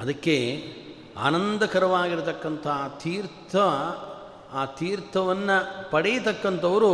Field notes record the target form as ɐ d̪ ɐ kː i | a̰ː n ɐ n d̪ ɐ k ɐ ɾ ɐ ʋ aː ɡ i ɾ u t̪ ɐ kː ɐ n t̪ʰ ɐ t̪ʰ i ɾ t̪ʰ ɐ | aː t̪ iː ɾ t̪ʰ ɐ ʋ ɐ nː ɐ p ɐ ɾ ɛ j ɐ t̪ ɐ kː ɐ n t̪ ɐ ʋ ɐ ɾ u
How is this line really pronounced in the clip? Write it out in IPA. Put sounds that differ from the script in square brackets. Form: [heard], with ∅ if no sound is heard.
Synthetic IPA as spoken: ɐ d̪ ɐ kː [e] | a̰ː n ɐ n d̪ ɐ k ɐ ɾ ɐ ʋ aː ɡ i ɾ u t̪ ɐ kː ɐ n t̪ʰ ɐ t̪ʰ [iː] ɾ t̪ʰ ɐ | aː t̪ iː ɾ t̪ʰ ɐ ʋ ɐ nː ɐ p ɐ [ɽ] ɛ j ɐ t̪ ɐ kː ɐ n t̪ ɐ ʋ ɐ ɾ u